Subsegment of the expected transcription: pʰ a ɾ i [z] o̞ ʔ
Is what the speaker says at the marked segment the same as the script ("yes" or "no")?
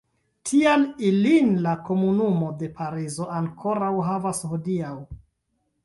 yes